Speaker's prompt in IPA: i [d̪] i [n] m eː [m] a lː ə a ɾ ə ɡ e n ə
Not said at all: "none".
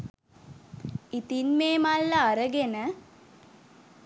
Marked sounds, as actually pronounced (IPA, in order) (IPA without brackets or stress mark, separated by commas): t̪, n, m